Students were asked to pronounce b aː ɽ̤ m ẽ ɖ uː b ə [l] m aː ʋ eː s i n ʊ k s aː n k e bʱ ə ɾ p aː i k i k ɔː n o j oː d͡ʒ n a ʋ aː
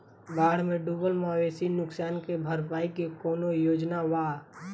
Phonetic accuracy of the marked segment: correct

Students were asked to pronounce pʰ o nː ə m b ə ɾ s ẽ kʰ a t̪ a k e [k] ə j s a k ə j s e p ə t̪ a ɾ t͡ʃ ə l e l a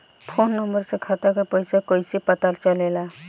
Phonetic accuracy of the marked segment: incorrect: p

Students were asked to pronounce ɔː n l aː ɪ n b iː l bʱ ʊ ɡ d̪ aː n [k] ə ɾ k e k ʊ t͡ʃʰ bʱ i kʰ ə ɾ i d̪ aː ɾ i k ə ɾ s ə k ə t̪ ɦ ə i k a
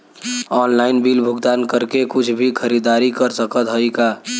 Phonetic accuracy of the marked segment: correct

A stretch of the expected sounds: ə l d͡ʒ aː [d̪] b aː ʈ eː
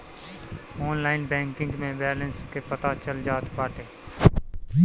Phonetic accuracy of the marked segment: incorrect: t̪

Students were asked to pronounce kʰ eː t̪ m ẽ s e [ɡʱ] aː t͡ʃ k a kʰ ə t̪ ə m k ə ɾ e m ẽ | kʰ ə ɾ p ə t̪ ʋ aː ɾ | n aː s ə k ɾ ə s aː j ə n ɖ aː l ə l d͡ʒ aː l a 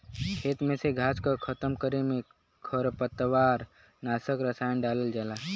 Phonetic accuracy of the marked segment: correct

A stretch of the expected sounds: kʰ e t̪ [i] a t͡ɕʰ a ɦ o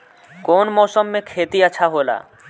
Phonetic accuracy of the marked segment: correct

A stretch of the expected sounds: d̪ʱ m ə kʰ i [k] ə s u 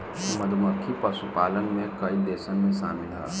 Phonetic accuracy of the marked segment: incorrect: p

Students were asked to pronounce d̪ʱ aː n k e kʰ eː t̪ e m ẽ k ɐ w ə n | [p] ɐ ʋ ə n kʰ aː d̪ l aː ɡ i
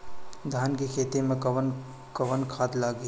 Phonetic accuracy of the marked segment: incorrect: k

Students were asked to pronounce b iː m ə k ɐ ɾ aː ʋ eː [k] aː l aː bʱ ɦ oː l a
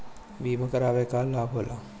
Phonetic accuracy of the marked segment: correct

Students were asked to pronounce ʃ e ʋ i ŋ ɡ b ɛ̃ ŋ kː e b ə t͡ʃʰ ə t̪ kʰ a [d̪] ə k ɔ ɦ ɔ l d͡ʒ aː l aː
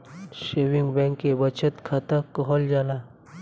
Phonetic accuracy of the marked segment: incorrect: t̪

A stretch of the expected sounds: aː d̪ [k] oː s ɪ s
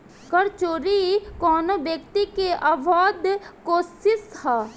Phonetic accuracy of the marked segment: correct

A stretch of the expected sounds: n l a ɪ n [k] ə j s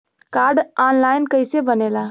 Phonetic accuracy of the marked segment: correct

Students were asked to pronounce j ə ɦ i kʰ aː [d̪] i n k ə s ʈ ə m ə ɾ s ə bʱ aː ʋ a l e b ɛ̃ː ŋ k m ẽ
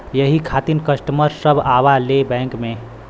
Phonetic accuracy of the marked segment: incorrect: t̪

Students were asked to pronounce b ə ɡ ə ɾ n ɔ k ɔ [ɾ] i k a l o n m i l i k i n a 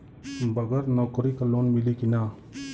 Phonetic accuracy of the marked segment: correct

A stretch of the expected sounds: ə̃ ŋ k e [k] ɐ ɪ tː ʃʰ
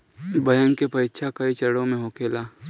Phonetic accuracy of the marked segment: incorrect: p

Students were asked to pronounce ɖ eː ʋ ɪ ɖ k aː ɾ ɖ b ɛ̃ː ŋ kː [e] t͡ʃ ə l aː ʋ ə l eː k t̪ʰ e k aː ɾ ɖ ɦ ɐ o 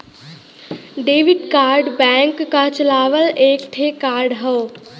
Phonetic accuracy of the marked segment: incorrect: a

